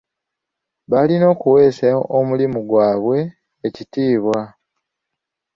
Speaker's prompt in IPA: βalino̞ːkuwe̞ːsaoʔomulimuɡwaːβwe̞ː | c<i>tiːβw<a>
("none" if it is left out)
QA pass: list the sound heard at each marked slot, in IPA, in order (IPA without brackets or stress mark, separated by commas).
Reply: i, a